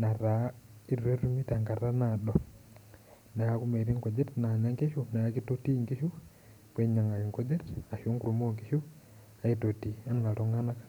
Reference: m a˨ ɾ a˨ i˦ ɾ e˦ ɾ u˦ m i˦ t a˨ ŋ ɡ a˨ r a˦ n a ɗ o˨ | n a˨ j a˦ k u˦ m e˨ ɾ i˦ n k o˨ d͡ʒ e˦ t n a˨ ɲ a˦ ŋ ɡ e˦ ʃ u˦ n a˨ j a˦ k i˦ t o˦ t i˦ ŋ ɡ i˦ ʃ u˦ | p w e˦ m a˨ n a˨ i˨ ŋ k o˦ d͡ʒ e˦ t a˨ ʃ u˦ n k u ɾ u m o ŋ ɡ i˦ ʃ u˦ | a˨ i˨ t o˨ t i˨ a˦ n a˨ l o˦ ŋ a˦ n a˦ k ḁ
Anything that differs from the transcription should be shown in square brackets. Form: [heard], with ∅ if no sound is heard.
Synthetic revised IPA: [n] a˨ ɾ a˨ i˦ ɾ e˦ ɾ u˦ m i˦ t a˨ ŋ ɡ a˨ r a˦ n a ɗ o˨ | n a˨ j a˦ k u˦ m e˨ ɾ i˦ [ŋ] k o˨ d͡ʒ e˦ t n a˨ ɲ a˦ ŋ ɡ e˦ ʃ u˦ n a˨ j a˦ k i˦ t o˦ t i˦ ŋ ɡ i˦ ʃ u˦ | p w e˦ [ɲ] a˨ [ŋ] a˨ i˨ ŋ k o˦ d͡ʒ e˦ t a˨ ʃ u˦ [ŋ] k u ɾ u m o ŋ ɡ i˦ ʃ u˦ | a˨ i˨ t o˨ t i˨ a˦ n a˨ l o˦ ŋ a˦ n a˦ k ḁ

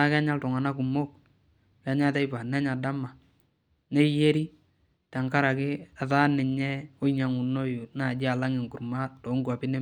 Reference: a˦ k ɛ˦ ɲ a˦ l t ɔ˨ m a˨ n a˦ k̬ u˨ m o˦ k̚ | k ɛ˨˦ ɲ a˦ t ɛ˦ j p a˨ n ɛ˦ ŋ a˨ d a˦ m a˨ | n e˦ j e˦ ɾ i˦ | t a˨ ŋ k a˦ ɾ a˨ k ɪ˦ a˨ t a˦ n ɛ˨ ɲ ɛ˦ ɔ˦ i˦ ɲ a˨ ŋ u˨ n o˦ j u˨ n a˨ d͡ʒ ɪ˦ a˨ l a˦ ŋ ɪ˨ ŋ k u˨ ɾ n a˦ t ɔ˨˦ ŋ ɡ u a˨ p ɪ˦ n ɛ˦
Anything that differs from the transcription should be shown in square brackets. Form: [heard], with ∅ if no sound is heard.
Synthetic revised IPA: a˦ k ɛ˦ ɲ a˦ l t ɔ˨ [ŋ] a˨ n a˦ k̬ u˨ m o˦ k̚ | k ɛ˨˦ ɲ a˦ t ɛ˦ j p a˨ n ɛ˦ [ɲ] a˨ d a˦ m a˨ | n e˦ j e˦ ɾ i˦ | t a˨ ŋ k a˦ ɾ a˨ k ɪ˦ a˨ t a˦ n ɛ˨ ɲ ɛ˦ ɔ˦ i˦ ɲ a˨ ŋ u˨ n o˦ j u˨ n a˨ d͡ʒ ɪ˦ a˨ l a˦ ŋ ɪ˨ ŋ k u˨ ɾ [m] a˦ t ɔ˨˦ ŋ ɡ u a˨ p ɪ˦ n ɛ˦

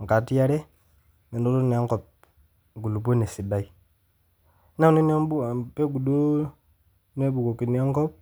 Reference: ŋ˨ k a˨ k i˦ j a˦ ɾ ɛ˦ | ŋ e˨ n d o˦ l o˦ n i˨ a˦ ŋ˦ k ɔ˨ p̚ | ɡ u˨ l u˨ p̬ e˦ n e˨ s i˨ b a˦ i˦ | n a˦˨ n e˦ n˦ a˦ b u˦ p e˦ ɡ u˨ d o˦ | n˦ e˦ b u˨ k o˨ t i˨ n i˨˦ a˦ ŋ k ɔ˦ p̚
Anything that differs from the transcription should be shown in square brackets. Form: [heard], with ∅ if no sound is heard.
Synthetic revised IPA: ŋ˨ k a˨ [t] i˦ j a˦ ɾ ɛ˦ | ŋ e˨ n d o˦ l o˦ n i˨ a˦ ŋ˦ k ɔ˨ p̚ | ɡ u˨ l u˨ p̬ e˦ n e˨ s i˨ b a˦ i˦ | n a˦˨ n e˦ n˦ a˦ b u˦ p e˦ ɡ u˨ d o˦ | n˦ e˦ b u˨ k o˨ [k] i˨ n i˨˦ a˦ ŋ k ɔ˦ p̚

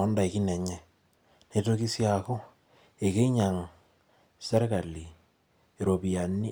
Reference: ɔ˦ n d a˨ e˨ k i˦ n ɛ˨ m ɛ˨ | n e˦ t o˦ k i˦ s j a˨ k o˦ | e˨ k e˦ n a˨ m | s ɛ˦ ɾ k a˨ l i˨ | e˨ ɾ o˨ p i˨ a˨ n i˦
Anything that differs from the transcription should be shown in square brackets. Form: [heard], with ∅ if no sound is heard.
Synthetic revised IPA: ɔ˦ n d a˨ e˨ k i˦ n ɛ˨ [ɲ] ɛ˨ | n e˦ t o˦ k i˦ s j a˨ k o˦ | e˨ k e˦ [ɲ] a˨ [ŋ] | s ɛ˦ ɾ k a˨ l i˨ | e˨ ɾ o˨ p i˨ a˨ n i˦

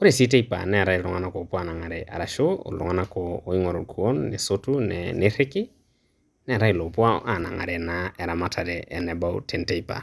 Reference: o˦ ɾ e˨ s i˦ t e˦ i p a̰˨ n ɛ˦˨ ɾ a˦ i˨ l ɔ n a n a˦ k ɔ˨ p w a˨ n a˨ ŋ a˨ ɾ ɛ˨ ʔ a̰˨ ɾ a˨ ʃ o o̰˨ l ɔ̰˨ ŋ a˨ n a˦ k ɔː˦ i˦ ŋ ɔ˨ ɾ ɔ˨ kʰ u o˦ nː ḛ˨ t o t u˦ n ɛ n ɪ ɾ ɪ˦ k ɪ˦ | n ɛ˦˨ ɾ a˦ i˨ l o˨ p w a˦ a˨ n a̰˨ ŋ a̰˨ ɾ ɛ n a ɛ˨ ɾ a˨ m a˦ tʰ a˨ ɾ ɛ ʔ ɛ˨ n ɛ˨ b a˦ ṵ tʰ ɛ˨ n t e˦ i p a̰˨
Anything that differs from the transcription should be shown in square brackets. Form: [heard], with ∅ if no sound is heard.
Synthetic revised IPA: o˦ ɾ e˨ s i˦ t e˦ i p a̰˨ n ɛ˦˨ ɾ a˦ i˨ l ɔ [ŋ] a n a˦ k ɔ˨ p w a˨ n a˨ ŋ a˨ ɾ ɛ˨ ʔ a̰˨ ɾ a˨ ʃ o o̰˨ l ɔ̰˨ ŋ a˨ n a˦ k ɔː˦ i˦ ŋ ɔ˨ ɾ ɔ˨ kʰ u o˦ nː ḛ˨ [s] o t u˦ n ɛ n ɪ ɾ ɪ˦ k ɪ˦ | n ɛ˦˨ ɾ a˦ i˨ l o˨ p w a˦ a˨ n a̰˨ ŋ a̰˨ ɾ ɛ n a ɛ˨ ɾ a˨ m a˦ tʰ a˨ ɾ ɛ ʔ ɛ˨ n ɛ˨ b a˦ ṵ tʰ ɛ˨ n t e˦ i p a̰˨

